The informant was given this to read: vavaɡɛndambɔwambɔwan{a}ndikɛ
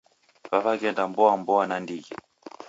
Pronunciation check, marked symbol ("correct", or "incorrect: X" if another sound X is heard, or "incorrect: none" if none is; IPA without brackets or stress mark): correct